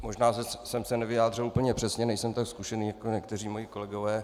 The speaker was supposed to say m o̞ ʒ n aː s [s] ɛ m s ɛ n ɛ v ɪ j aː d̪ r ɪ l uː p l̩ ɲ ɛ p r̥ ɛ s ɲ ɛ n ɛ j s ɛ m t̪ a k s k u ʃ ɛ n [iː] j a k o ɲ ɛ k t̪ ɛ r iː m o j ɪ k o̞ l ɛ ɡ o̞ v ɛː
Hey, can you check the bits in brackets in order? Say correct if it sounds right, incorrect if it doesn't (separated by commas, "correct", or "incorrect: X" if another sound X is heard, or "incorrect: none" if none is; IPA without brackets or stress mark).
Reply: correct, correct